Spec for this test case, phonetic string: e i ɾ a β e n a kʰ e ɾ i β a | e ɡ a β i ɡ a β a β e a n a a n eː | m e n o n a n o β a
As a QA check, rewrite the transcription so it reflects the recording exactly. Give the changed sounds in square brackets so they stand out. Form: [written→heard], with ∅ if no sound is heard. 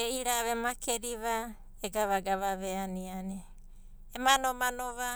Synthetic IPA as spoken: e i ɾ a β e [n→m] a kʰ e ɾ i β a | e ɡ a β [i→a] ɡ a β a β e a n [a→i] a n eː | m [e→a] n o [n→m] a n o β a